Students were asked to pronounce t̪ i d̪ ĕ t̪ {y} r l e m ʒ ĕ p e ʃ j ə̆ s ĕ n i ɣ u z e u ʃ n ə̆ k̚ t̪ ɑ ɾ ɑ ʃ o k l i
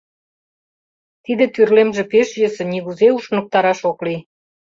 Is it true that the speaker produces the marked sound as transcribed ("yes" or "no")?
yes